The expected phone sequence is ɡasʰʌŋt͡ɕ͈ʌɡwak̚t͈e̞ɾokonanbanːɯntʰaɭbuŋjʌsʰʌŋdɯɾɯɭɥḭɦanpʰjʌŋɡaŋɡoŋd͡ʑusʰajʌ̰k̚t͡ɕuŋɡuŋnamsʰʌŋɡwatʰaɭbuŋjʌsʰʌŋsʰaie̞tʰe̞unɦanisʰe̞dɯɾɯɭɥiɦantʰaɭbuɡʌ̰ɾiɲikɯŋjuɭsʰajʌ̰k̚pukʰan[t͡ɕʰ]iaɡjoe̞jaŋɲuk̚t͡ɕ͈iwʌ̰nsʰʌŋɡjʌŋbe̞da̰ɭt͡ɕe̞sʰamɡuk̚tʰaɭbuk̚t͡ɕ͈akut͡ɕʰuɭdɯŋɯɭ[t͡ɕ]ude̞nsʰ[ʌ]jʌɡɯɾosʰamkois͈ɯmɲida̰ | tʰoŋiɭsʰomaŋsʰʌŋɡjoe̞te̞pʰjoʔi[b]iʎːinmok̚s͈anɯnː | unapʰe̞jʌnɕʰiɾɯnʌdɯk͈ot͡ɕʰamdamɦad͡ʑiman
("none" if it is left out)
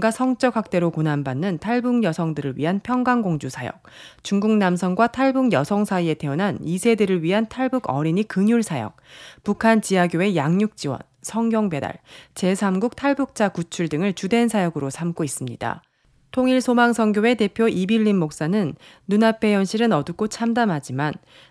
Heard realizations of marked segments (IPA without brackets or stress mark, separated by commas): t͡ɕ, t͡ɕ, a, b